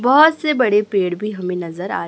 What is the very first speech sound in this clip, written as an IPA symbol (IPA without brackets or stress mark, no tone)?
b